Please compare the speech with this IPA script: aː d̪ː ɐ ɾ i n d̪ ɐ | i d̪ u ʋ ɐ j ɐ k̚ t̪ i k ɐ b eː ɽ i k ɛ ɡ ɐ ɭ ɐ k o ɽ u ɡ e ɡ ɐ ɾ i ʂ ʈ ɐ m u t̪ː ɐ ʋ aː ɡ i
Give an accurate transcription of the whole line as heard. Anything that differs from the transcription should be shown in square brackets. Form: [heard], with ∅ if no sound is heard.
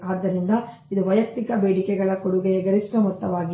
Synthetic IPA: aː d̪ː ɐ ɾ i n d̪ ɐ | i d̪ u ʋ ɐ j ɐ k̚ t̪ i k ɐ b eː ɽ i k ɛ ɡ ɐ ɭ ɐ k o ɽ u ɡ e ɡ ɐ ɾ i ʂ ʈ ɐ m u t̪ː ɐ ʋ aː ɡ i